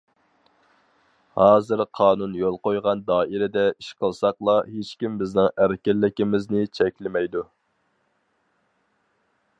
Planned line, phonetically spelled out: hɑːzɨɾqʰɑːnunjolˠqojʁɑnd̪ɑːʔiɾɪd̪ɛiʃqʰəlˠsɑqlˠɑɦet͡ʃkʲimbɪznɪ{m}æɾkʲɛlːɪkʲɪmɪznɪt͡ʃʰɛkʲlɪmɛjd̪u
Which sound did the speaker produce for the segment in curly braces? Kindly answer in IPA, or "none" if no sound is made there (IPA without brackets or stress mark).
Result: ŋ